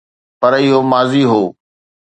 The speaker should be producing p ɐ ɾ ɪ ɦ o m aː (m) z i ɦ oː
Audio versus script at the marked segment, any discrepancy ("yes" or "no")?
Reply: yes